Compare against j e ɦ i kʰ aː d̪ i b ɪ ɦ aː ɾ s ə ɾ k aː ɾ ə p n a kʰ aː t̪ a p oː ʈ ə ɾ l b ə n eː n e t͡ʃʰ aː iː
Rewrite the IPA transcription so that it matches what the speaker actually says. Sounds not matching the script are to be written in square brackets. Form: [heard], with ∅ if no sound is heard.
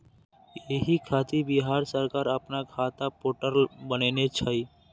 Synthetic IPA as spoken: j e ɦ i kʰ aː [t̪] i b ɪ ɦ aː ɾ s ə ɾ k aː ɾ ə p n a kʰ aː t̪ a p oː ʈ ə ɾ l b ə n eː n e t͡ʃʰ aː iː